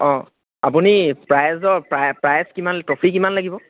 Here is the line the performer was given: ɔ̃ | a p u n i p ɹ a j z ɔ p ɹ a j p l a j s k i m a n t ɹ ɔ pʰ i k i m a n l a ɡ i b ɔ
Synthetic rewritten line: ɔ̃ | a p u n i p ɹ a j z ɔ p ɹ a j p ɹ a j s k i m a n t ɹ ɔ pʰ i k i m a n l a ɡ i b ɔ

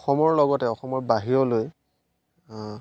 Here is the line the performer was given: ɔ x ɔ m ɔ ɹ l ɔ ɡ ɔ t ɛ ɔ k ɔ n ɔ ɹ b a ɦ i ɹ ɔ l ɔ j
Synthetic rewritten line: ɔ x ɔ m ɔ ɹ l ɔ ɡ ɔ t ɛ ɔ x ɔ m ɔ ɹ b a ɦ i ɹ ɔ l o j

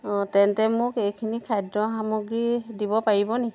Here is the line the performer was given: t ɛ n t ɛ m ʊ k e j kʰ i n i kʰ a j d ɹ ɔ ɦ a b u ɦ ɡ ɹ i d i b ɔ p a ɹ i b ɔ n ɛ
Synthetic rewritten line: t ɛ n t ɛ m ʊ k e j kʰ i n i kʰ a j d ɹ ɔ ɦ a m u ɡ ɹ i d i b ɔ p a ɹ i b ɔ n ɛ

